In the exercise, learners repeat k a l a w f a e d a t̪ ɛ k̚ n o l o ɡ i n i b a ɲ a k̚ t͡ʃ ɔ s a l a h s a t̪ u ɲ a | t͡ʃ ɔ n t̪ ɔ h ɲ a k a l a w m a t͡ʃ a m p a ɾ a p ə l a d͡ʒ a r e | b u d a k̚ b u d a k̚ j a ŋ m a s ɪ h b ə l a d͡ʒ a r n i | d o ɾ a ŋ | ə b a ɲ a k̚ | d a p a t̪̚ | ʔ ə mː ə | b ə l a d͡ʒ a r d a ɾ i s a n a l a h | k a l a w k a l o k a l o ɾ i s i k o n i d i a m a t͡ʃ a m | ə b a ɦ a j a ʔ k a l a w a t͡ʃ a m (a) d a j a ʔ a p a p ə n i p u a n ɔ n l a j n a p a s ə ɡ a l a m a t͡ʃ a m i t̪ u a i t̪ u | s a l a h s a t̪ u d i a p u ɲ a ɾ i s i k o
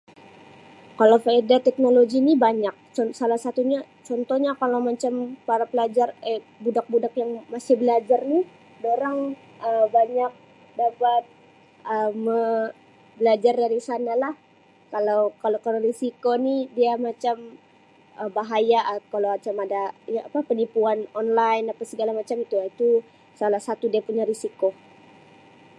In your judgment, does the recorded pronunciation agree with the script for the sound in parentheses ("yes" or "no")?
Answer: yes